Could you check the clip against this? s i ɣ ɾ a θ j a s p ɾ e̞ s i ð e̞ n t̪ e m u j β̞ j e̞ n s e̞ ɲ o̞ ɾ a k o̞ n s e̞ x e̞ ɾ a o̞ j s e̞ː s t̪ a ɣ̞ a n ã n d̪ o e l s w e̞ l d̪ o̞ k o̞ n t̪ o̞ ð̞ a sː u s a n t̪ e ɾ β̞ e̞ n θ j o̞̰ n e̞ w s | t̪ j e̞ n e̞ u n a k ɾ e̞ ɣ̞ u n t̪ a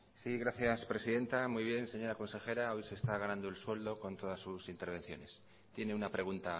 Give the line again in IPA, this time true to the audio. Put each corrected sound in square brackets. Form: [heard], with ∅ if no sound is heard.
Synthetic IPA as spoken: s i ɣ ɾ a θ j a s p ɾ e̞ s i ð e̞ n t̪ [a] m u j β̞ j e̞ n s e̞ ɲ o̞ ɾ a k o̞ n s e̞ x e̞ ɾ a o̞ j s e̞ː s t̪ a ɣ̞ a n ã n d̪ o e l s w e̞ l d̪ o̞ k o̞ n t̪ o̞ ð̞ a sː u s [i] n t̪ e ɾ β̞ e̞ n θ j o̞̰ n e̞ [∅] s | t̪ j e̞ n e̞ u n a [p] ɾ e̞ ɣ̞ u n t̪ a

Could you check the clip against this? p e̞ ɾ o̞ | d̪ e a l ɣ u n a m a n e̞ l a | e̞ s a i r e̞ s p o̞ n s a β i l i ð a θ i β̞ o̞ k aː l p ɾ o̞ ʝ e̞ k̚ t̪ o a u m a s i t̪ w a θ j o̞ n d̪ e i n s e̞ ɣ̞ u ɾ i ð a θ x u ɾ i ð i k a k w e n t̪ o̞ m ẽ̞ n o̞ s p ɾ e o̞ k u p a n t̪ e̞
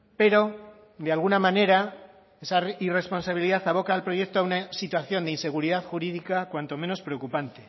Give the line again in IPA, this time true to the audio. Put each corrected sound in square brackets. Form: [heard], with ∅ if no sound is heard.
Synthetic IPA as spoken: p e̞ ɾ o̞ | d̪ e a l ɣ u n a m a n e̞ [ɾ] a | e̞ s a i r e̞ s p o̞ n s a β i l i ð a θ [a] β̞ o̞ k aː l p ɾ o̞ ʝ e̞ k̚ t̪ o a u [n] a s i t̪ w a θ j o̞ n d̪ e i n s e̞ ɣ̞ u ɾ i ð a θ x u ɾ i ð i k a k w [a] n t̪ o̞ m [e̞] n o̞ s p ɾ e o̞ k u p a n t̪ e̞

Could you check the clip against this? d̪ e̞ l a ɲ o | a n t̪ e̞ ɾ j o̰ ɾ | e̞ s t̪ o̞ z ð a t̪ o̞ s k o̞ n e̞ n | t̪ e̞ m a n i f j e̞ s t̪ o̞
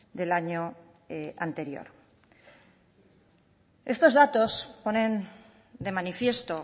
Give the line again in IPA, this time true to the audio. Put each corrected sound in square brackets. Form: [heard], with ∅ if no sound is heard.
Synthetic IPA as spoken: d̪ e̞ l a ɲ o | a n t̪ e̞ ɾ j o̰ ɾ | e̞ s t̪ o̞ z ð a t̪ o̞ s [p] o̞ n e̞ n | [d̪] e̞ m a n i f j e̞ s t̪ o̞

